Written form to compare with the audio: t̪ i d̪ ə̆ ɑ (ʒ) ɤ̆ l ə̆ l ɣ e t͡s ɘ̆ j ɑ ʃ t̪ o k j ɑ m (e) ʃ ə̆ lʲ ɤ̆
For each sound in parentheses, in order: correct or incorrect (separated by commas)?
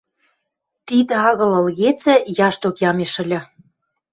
incorrect, correct